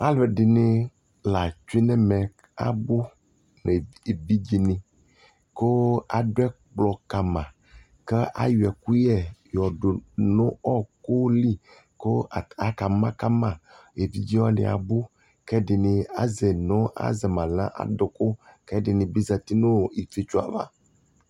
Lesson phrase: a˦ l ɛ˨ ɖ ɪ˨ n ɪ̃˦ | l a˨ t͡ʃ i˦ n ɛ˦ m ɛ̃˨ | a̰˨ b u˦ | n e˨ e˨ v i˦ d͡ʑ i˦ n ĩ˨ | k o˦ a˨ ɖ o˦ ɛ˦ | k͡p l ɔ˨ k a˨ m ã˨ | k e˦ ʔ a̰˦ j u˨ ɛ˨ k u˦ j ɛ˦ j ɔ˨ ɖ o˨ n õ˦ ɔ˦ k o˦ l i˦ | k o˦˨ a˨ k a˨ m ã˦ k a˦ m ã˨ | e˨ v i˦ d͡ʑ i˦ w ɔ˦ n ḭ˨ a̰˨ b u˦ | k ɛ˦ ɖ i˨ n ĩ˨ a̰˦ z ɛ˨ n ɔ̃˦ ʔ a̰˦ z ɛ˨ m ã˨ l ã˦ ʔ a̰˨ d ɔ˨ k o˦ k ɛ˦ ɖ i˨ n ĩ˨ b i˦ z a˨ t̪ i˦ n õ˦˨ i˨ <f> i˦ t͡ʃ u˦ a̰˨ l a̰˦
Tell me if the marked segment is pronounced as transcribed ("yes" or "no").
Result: yes